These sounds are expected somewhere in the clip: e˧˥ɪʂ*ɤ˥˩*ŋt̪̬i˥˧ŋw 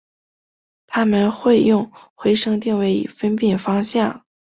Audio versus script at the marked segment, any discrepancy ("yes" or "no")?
yes